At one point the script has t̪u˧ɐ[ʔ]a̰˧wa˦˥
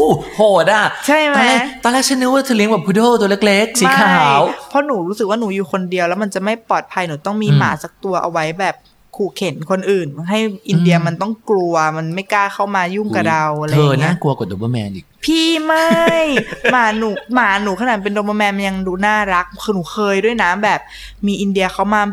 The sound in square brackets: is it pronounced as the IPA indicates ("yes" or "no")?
yes